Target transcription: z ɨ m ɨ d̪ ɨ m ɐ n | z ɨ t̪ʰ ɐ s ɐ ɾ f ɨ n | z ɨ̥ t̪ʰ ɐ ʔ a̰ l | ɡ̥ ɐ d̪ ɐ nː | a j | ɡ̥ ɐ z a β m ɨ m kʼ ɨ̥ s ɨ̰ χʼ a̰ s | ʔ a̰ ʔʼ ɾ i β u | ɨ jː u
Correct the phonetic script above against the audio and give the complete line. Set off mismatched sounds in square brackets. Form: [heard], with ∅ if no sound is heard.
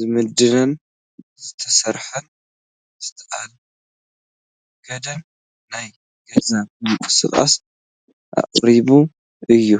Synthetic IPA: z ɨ m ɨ d̪ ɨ [n] ɐ n | z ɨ t̪ʰ ɐ s ɐ ɾ [ħ] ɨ n | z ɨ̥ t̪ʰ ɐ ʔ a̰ l | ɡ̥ ɐ d̪ ɐ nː | a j | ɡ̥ ɐ z a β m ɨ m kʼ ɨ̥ s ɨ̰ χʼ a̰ s | ʔ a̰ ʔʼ ɾ i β u | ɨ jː u